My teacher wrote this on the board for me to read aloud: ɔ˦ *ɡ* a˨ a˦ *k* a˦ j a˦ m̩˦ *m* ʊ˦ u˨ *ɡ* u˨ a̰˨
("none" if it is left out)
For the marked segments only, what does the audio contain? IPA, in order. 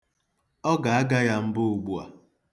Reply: ɡ, ɡ, b, ɡ͡b

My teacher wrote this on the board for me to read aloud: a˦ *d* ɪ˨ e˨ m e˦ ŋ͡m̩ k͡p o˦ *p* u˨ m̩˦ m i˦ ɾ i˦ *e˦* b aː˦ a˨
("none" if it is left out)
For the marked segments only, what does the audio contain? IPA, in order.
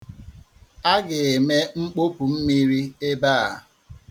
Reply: ɡ, p, e˦

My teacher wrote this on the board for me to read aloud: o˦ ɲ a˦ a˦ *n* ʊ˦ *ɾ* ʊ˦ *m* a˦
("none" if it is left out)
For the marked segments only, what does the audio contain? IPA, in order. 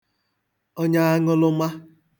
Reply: ŋ, l, m

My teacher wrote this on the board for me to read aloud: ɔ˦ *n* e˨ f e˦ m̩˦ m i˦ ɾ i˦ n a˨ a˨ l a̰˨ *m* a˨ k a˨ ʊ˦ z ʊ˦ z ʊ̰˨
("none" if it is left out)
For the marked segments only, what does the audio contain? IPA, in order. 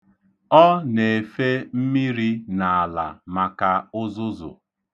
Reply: n, m

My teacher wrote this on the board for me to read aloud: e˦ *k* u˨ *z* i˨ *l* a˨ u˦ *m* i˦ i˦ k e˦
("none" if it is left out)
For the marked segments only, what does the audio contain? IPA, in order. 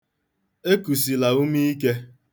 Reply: k, s, l, m

